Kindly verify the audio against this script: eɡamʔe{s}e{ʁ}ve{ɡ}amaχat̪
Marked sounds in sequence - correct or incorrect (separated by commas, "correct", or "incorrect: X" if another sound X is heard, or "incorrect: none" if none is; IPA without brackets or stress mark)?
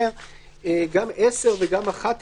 correct, correct, correct